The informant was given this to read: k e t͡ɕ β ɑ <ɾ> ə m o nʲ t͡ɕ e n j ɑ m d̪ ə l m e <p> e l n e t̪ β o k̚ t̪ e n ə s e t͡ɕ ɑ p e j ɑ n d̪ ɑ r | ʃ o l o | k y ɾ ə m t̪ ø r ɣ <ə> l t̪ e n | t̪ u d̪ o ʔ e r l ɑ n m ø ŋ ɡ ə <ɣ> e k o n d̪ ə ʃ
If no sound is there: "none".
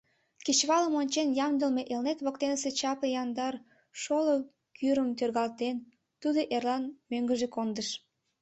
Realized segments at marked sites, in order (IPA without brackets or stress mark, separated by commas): l, ʔ, ɑ, ʒ